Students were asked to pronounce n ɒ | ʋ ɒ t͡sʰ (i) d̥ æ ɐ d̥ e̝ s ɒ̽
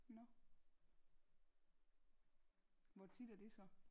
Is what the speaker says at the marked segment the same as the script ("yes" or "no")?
yes